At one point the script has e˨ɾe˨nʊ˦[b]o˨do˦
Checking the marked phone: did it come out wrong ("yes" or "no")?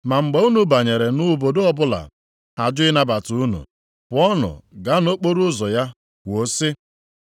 no